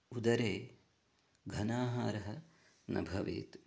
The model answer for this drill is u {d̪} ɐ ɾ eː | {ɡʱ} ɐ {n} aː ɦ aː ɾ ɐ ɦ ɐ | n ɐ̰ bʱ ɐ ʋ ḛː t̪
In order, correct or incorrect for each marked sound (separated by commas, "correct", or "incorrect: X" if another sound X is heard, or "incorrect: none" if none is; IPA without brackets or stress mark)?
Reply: correct, correct, correct